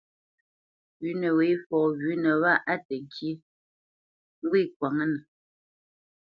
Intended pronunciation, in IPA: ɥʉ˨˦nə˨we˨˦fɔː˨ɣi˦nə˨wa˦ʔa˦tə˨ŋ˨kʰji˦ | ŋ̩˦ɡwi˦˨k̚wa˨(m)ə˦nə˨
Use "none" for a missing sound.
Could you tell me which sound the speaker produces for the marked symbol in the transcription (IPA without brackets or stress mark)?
ŋ